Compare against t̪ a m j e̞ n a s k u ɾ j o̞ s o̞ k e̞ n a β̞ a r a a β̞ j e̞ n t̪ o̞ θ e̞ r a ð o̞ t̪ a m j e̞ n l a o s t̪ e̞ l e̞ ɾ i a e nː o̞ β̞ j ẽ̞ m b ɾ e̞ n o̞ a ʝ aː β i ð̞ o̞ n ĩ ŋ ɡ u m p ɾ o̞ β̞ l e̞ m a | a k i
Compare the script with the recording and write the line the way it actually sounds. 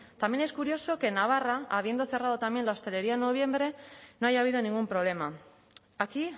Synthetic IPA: t̪ a m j e̞ n e s k u ɾ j o̞ s o̞ k e̞ n a β̞ a r a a β̞ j e̞ n d̪ o̞ θ e̞ r a ð o̞ t̪ a m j e̞ n l a o s t̪ e̞ l e̞ ɾ i a e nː o̞ β̞ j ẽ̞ m b ɾ e̞ n o̞ a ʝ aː β i ð̞ o̞ n ĩ ŋ ɡ u m p ɾ o̞ β̞ l e̞ m a | a k i